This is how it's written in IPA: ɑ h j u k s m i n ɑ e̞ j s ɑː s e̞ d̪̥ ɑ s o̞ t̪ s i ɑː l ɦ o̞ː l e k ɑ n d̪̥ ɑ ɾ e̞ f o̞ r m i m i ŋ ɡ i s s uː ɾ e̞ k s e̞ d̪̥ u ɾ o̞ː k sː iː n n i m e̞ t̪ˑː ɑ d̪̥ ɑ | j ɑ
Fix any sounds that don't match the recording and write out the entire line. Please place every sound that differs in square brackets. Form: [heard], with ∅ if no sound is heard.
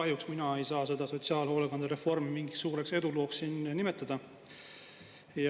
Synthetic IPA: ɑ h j u k s m i n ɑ e̞ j s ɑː s e̞ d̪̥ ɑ s o̞ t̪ s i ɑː l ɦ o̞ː l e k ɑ n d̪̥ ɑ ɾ e̞ f o̞ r m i m i ŋ ɡ i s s uː ɾ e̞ k s e̞ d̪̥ u [l] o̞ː k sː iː n n i m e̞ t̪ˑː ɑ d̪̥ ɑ | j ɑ